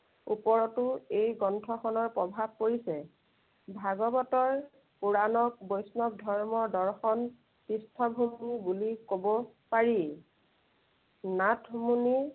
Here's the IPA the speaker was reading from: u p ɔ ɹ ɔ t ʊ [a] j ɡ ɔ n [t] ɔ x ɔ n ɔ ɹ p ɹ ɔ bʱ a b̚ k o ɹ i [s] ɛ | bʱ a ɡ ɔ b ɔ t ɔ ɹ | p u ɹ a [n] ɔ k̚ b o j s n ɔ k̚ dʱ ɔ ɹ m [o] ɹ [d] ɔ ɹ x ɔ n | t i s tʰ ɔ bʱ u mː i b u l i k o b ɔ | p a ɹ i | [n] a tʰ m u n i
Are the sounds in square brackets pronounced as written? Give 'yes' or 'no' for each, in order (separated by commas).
no, no, yes, yes, no, yes, yes